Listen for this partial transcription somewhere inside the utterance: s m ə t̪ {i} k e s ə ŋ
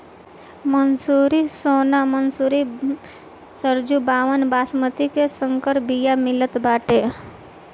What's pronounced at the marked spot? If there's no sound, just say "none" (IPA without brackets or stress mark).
i